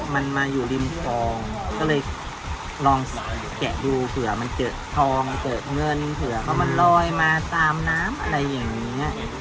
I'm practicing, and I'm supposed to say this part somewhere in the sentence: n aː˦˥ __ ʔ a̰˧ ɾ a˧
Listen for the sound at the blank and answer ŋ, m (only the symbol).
m